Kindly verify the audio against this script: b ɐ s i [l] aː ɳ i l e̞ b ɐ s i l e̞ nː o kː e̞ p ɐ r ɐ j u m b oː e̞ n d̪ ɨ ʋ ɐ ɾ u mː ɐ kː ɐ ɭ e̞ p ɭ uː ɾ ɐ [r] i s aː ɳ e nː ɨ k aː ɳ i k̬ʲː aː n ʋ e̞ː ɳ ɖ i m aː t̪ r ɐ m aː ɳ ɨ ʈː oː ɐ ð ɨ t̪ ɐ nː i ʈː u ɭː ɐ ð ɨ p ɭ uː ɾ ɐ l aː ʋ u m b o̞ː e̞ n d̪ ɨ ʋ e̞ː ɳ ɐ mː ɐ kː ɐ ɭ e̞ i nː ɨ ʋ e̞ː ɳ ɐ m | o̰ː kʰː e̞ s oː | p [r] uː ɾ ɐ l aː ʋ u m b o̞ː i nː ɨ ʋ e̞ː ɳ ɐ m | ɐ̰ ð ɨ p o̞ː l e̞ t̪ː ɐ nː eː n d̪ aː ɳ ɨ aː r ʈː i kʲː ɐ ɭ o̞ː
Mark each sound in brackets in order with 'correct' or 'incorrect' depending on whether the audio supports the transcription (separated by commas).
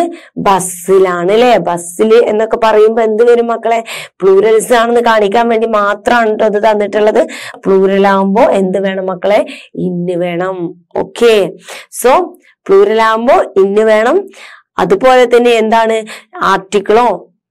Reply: correct, incorrect, incorrect